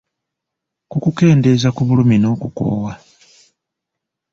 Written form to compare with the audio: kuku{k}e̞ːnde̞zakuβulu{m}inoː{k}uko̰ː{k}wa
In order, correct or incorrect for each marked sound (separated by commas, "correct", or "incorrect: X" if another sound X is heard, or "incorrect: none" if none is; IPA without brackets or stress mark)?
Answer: correct, correct, correct, incorrect: none